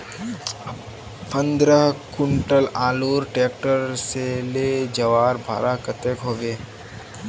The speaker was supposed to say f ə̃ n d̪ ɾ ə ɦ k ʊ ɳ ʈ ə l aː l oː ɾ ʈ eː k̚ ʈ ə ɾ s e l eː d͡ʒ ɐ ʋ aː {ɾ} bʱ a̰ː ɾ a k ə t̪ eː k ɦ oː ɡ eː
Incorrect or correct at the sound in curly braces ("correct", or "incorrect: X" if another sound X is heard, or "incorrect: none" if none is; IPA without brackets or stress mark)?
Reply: correct